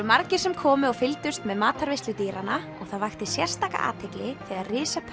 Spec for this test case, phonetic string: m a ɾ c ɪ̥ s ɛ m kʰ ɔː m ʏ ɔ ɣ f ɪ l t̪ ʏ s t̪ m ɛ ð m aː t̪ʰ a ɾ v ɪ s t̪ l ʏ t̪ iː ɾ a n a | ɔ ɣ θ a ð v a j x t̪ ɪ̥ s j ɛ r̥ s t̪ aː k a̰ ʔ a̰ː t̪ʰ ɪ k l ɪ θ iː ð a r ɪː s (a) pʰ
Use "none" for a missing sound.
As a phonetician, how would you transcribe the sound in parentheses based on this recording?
a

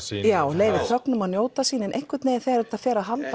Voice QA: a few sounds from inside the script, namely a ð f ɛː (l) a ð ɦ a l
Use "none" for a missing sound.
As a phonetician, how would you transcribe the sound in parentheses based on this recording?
ɾ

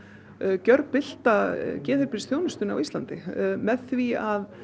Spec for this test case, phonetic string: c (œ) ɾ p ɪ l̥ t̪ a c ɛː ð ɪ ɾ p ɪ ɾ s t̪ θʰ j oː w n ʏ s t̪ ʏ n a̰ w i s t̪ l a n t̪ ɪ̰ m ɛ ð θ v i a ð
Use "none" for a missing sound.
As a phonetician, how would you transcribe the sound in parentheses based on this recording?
œ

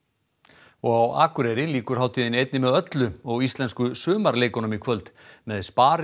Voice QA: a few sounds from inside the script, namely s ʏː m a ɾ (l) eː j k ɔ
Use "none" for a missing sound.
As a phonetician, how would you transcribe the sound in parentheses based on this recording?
l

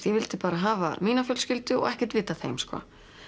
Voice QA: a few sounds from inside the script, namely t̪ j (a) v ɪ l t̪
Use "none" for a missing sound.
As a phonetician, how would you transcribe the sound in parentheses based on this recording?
ɛ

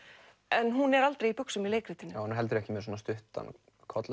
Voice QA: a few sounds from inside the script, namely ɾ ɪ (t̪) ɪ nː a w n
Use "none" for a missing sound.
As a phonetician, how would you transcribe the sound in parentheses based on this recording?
t̪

